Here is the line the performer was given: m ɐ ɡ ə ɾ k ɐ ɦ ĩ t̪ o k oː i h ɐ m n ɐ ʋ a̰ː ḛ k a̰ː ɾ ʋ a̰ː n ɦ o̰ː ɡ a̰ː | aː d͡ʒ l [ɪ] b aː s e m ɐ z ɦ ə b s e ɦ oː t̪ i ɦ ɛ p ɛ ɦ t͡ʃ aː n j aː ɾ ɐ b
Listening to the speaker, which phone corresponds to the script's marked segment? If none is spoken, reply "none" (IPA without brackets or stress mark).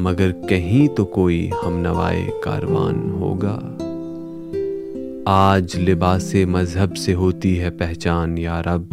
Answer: ɪ